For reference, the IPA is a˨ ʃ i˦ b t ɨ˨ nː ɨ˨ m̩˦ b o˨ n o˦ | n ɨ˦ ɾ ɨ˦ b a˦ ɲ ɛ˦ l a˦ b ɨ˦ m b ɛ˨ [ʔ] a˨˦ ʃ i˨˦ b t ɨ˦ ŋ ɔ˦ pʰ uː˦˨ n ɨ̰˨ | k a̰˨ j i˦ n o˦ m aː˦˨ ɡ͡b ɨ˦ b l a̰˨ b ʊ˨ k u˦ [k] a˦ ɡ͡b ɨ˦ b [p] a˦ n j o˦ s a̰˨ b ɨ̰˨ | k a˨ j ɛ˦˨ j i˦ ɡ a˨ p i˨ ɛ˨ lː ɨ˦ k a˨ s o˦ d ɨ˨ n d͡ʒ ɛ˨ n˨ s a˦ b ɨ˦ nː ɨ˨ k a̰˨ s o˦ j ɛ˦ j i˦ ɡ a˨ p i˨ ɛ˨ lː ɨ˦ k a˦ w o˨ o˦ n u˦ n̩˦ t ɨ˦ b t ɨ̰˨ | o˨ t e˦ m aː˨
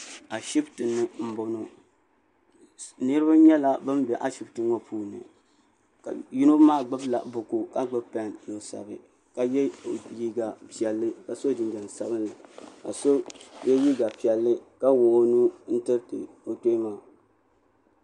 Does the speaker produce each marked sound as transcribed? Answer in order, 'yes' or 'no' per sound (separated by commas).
yes, yes, yes